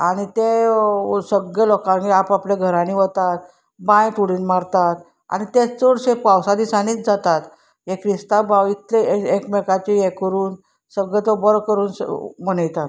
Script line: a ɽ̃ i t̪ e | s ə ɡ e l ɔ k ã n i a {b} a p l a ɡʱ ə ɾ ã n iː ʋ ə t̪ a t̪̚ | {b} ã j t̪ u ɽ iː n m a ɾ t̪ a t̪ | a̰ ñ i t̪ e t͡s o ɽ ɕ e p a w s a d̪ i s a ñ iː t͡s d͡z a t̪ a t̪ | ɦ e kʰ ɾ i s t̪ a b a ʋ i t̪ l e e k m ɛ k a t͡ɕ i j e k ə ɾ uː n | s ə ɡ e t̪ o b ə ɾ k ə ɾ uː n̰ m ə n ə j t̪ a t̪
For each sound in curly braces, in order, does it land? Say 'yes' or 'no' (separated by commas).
no, yes